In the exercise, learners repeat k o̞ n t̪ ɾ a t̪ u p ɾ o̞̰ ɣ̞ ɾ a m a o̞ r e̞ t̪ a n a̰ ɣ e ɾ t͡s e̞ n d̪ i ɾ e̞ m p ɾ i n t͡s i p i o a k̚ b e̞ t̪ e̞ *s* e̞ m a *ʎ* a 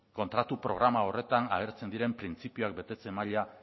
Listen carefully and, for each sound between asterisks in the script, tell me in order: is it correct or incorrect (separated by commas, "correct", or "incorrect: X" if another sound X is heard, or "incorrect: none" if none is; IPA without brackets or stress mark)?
incorrect: t͡s, correct